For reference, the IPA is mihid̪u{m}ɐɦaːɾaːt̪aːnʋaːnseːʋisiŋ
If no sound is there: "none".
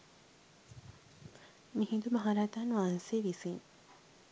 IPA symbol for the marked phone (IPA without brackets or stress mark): m